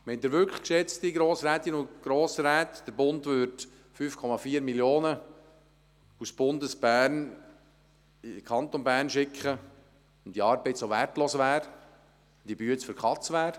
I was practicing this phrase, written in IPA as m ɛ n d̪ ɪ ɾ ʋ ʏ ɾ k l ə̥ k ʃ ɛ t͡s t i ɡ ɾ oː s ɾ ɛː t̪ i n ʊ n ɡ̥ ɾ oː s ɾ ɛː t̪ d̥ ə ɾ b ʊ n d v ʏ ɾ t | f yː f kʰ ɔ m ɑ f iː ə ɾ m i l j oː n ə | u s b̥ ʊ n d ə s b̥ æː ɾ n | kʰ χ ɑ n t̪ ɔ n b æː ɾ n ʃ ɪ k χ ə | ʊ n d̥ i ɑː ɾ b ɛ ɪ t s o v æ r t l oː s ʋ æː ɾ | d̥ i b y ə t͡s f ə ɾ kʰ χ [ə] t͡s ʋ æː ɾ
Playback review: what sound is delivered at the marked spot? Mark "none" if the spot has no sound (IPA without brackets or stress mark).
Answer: ɑ